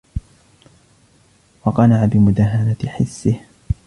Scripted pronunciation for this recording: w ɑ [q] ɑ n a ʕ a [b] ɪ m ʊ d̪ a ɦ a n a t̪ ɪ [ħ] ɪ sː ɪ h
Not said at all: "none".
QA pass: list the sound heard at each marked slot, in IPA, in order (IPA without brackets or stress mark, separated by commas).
q, b, ħ